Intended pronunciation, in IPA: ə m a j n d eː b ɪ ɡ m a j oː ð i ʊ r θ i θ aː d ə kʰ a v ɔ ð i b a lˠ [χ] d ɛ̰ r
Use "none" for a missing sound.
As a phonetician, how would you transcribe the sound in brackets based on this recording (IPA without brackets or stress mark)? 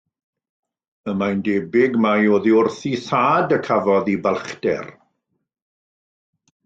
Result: χ